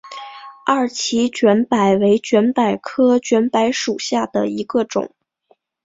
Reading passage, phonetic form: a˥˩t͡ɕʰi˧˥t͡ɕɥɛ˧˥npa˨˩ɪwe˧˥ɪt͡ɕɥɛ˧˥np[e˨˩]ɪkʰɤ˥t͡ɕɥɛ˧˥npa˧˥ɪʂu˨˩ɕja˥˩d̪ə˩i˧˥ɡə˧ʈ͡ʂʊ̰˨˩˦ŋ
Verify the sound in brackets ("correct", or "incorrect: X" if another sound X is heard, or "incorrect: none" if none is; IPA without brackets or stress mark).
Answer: incorrect: a˨˩